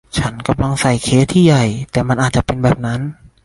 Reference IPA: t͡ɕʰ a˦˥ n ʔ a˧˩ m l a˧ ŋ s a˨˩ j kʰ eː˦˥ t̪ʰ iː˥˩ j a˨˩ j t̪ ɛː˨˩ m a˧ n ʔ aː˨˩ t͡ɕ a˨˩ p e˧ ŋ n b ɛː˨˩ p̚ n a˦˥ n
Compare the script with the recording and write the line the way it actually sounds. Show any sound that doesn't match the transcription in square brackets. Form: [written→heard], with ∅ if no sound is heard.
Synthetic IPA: t͡ɕʰ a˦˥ n [ʔ→k] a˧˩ m l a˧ ŋ s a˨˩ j kʰ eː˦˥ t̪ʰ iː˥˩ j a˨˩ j t̪ ɛː˨˩ m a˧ n ʔ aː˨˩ t͡ɕ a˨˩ p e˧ [ŋ→∅] n b ɛː˨˩ p̚ n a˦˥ n